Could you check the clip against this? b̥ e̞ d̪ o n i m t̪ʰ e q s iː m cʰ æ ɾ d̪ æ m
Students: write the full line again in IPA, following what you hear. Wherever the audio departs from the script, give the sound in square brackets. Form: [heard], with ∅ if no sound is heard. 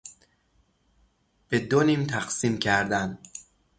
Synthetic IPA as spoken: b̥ e̞ d̪ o n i m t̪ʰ [æ] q s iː m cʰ æ ɾ d̪ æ [n]